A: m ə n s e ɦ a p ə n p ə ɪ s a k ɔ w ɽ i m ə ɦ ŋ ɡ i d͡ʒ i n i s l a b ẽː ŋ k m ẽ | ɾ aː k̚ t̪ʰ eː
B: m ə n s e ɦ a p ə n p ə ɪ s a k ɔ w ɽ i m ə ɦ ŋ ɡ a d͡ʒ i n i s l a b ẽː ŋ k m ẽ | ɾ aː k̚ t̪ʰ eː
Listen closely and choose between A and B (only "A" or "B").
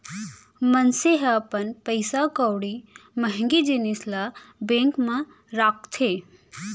A